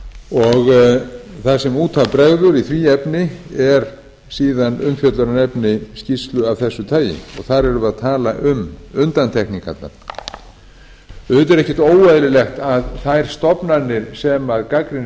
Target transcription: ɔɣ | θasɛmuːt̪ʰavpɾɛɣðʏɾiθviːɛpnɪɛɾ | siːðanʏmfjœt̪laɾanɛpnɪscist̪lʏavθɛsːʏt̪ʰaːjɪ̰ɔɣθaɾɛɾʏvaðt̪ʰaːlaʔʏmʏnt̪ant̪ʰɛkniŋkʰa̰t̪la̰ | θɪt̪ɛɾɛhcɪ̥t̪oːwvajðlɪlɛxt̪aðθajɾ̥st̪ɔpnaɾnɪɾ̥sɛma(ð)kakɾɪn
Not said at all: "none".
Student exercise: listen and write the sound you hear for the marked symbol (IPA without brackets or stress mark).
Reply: ð